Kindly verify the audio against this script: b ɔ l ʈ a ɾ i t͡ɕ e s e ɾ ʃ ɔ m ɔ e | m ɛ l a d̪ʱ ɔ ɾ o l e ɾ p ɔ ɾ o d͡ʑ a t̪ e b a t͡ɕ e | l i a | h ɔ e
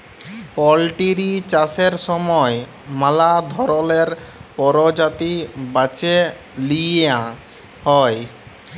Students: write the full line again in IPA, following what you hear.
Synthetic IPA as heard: p ɔ l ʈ i ɾ i t͡ɕ a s e ɾ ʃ ɔ m ɔ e | m a l a d̪ʱ ɔ ɾ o l e ɾ p ɔ ɾ o d͡ʑ a t̪ i b a t͡ɕ e | l i a | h ɔ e

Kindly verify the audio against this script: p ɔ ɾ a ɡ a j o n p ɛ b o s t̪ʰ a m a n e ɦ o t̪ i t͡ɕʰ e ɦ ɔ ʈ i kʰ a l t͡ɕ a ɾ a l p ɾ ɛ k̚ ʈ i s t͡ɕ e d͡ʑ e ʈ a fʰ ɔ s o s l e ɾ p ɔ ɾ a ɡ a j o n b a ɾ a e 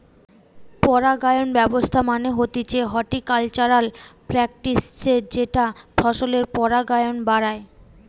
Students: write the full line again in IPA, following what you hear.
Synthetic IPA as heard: p ɔ ɾ a ɡ a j o n b ɛ b o s t̪ʰ a m a n e ɦ o t̪ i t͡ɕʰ e ɦ ɔ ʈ i k a l t͡ɕ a ɾ a l p ɾ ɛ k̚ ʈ i s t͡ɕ e d͡ʑ e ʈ a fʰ ɔ ʃ o l e ɾ p ɔ ɾ a ɡ a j o n b a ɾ a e

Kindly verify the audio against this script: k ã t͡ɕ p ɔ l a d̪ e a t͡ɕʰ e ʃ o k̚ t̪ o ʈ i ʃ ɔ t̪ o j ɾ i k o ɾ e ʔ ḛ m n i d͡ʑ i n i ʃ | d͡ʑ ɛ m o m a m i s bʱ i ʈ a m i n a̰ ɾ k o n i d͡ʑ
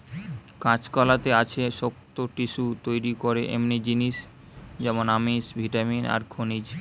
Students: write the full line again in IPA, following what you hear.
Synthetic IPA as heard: k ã t͡ɕ k ɔ l a t̪ e a t͡ɕʰ e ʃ o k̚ t̪ o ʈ i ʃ u t̪ o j ɾ i k o ɾ e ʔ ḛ m n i d͡ʑ i n i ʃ | d͡ʑ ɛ m o n a m i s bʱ i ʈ a m i n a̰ ɾ kʰ o n i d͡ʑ

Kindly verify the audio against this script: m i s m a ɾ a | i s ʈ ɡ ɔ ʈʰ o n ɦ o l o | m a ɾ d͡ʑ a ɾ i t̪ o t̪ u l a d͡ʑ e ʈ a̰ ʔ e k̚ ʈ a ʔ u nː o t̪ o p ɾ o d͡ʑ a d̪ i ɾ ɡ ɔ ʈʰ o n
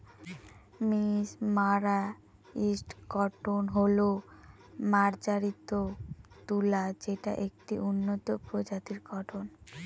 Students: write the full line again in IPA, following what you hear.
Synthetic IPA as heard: m i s m a ɾ a | i s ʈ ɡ ɔ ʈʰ o n ɦ o l o | m a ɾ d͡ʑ a ɾ i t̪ o t̪ u l a d͡ʑ e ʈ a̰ ʔ e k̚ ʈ i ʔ u nː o t̪ o p ɾ o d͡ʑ a t̪ i ɾ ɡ ɔ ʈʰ o n

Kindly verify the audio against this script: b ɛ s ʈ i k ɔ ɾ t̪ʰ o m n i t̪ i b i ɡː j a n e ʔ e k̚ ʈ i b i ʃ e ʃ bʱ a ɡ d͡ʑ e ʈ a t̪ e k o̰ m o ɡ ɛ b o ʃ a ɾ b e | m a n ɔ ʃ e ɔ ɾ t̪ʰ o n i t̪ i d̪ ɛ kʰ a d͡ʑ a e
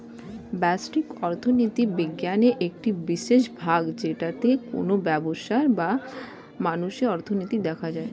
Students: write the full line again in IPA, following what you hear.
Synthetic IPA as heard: b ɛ s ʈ i k ɔ ɾ t̪ʰ o n i t̪ i b i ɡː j a n e ʔ e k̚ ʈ i b i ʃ e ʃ bʱ a ɡ d͡ʑ e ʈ a t̪ e k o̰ n o b ɛ b o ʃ a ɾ b a | m a n u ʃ e ɔ ɾ t̪ʰ o n i t̪ i d̪ ɛ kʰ a d͡ʑ a e

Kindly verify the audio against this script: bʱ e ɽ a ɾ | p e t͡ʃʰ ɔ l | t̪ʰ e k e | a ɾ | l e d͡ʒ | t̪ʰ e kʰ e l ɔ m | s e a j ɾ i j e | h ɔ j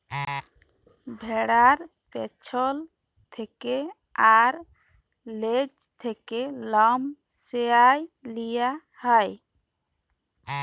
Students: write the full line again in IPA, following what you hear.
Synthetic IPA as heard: bʱ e ɽ a ɾ | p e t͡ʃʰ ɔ l | t̪ʰ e k e | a ɾ | l e d͡ʒ | t̪ʰ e k e l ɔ m | s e a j l i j a | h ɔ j

